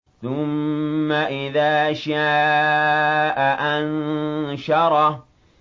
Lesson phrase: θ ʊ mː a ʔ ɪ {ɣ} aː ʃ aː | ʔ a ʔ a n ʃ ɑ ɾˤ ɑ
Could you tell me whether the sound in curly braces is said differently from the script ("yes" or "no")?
yes